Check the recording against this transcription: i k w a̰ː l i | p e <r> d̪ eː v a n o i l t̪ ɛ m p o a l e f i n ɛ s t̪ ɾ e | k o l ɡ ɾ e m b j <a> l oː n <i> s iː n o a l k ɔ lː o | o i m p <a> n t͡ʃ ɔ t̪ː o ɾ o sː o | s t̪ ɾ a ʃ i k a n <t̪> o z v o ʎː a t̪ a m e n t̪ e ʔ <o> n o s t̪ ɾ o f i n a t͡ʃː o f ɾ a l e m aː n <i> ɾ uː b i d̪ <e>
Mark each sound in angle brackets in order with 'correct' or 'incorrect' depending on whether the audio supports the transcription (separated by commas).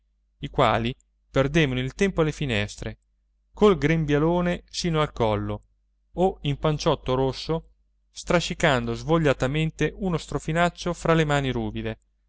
correct, correct, incorrect, correct, incorrect, incorrect, correct, correct